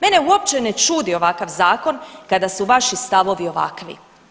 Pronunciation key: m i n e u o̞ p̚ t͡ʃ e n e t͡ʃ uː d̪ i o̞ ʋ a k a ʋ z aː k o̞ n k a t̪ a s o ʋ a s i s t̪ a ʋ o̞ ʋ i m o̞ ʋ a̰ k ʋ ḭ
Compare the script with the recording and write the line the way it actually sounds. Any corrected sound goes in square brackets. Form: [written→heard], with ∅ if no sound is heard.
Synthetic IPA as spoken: m [i→e] n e u o̞ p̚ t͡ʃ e n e t͡ʃ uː d̪ i o̞ ʋ a k a ʋ z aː k o̞ n k a [t̪→d̪] a s [o→u] ʋ a [s→ʃ] i s t̪ a ʋ o̞ ʋ i [m→∅] o̞ ʋ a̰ k ʋ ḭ